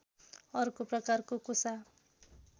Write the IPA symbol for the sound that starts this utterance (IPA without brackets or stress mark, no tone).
ʌ